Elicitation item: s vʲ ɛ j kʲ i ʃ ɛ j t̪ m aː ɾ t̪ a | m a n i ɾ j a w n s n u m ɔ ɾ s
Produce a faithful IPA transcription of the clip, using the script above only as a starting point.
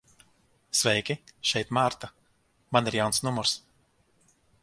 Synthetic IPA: s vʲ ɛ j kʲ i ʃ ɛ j t̪ m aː ɾ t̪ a | m a n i ɾ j a w n s n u m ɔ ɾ s